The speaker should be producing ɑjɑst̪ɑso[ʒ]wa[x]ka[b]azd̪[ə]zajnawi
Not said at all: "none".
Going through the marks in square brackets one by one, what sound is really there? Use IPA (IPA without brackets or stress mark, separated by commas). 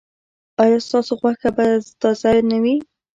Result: ɣ, x, b, ɑ